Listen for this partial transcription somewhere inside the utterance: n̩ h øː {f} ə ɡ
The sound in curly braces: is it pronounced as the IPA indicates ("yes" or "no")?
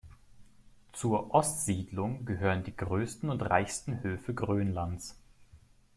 yes